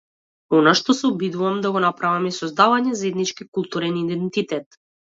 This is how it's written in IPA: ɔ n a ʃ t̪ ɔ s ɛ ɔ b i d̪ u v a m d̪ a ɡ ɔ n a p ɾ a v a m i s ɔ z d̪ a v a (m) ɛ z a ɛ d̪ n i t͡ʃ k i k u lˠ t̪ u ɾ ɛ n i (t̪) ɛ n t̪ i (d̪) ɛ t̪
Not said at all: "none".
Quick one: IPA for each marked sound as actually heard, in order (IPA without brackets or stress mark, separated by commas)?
ɲ, d̪, t̪